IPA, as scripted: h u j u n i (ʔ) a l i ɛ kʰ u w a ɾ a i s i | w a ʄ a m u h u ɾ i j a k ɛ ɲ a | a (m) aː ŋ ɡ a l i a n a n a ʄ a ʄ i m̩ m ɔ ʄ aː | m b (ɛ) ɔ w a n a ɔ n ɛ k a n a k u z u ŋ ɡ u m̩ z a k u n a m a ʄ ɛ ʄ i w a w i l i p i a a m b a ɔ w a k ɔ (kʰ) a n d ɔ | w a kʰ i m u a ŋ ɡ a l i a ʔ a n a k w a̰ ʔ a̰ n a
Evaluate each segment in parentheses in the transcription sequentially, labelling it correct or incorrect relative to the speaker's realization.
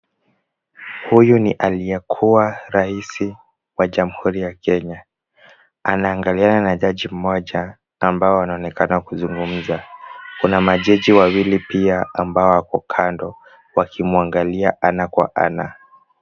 correct, incorrect, incorrect, correct

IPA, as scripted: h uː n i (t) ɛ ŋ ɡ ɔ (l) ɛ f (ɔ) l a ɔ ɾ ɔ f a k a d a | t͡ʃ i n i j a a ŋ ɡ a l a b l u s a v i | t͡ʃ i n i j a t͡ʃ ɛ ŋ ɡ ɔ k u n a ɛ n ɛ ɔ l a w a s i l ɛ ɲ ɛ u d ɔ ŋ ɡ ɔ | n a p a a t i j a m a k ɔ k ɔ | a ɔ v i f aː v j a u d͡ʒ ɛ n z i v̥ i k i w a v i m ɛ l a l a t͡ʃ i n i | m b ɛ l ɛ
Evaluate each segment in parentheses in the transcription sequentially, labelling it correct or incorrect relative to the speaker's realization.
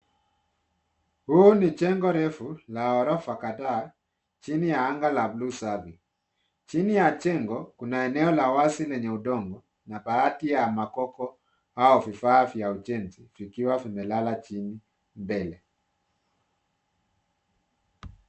incorrect, incorrect, incorrect

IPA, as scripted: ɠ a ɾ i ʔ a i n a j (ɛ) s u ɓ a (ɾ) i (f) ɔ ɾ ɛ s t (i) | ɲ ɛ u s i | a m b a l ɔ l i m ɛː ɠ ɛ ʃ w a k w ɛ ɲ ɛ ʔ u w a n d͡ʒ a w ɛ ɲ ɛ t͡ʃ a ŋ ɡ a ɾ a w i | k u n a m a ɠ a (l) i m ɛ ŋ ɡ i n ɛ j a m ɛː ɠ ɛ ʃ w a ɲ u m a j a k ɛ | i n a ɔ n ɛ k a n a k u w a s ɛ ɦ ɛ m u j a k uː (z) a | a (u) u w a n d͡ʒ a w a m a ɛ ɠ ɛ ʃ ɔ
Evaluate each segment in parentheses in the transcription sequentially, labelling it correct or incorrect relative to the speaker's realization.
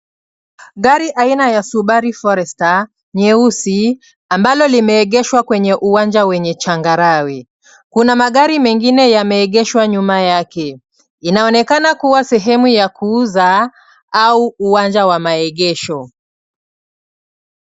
incorrect, correct, correct, incorrect, incorrect, correct, correct

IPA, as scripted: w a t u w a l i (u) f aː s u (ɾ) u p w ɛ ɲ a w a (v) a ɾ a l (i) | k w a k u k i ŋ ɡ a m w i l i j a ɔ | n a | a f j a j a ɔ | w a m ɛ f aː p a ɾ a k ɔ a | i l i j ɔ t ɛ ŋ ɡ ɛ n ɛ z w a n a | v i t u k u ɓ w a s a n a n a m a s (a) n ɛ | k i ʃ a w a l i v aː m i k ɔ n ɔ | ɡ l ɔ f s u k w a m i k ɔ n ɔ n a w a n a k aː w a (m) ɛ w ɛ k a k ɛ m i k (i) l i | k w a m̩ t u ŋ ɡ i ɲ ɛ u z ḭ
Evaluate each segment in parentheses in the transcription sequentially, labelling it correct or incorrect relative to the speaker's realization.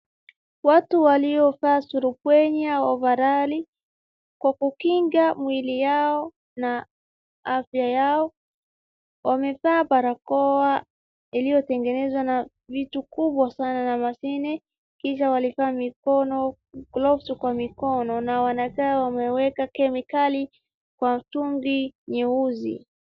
incorrect, correct, correct, correct, incorrect, correct, incorrect

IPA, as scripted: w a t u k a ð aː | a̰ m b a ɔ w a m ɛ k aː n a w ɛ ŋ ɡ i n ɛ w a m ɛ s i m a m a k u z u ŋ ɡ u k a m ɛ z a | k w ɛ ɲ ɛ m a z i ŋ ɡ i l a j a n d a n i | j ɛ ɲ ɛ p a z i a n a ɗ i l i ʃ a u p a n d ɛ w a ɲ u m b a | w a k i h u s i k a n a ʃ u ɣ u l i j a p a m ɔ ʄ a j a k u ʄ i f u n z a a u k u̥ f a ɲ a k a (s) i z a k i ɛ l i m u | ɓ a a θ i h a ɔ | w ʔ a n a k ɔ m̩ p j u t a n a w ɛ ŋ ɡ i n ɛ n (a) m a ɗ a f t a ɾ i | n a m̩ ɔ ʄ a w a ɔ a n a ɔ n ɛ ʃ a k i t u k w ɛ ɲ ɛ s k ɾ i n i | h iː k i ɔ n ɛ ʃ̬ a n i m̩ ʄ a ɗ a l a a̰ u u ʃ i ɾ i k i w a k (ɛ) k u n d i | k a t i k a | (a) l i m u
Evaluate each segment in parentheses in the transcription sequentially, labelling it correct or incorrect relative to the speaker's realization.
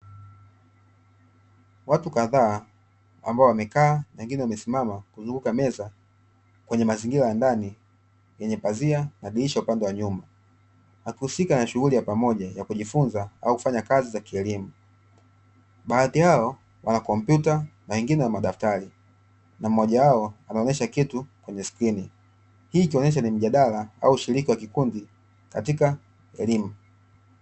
incorrect, correct, incorrect, incorrect

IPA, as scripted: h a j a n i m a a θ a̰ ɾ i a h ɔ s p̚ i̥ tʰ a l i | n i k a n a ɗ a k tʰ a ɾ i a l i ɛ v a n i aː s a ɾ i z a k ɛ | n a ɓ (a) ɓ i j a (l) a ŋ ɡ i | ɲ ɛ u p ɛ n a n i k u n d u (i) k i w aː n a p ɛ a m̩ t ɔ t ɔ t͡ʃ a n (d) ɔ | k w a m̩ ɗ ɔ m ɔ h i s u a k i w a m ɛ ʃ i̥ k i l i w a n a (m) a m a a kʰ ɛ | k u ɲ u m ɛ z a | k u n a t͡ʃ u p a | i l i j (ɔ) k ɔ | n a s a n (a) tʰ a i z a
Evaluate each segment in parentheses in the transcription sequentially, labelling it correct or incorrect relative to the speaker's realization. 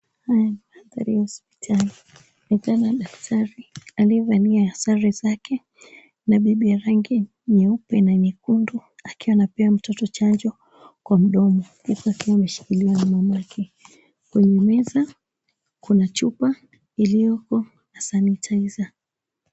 incorrect, incorrect, incorrect, incorrect, correct, correct, incorrect

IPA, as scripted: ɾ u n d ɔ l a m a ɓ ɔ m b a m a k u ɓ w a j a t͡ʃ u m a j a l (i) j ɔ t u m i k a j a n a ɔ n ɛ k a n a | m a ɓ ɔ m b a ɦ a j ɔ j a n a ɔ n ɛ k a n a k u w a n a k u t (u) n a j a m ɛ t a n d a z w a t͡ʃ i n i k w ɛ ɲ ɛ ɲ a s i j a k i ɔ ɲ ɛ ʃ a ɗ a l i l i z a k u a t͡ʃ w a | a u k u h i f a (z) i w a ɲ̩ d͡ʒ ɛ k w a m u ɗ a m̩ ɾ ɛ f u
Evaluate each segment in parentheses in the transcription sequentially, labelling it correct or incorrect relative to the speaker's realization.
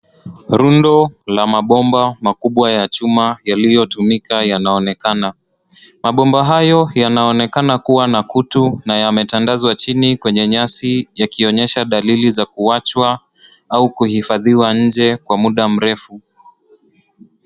correct, correct, incorrect

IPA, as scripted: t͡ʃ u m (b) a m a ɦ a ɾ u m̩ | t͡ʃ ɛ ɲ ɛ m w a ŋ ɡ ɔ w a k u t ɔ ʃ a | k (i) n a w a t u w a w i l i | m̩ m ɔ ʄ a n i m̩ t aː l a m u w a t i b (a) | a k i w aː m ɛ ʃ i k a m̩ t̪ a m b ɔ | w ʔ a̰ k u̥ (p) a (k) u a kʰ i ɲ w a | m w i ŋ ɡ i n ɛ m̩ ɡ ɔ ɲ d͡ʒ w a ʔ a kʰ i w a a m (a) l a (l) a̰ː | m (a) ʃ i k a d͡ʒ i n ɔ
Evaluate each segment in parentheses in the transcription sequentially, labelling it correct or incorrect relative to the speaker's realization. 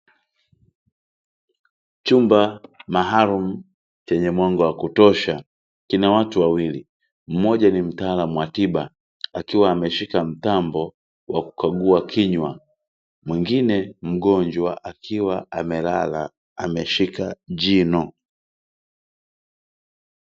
correct, correct, correct, incorrect, incorrect, incorrect, correct, incorrect

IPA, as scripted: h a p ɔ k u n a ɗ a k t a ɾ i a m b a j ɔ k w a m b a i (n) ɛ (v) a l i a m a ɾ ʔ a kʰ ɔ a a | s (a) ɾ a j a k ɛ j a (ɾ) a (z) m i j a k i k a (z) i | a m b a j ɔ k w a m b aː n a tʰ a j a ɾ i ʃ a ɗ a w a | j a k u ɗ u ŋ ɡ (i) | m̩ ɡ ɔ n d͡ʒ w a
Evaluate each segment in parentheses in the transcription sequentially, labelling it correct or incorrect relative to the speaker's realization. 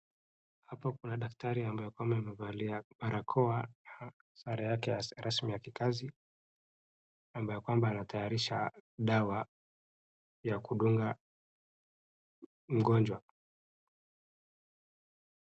incorrect, correct, correct, correct, incorrect, correct, incorrect

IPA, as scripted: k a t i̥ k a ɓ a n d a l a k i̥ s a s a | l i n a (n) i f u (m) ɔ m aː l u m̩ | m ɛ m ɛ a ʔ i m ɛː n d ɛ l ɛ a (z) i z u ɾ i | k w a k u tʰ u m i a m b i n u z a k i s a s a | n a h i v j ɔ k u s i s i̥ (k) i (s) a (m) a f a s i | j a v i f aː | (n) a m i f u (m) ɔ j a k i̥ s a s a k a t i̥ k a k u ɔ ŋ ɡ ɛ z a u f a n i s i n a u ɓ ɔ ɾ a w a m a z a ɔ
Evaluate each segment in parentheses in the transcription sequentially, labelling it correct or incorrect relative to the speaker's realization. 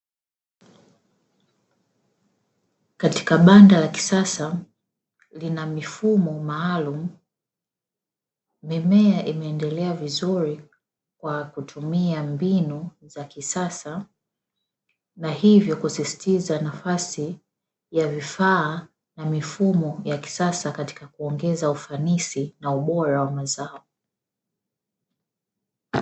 incorrect, correct, incorrect, incorrect, incorrect, incorrect, correct, correct

